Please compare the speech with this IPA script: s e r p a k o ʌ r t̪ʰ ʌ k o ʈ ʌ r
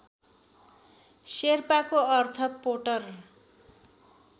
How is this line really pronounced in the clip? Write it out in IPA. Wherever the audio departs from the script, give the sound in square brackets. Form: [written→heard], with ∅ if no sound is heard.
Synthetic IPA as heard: s e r p a k o ʌ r t̪ʰ ʌ [k→p] o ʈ ʌ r